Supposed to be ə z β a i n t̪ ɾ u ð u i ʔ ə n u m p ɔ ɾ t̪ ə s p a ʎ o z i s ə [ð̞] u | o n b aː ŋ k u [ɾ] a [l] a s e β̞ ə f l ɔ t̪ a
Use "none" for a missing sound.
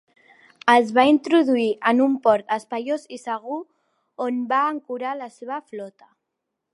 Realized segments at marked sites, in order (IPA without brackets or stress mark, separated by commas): ɣ̞, ɾ, l